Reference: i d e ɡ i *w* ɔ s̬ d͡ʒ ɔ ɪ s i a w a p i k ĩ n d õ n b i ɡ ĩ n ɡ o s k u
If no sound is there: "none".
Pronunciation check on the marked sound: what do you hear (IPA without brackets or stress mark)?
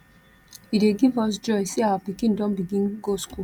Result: v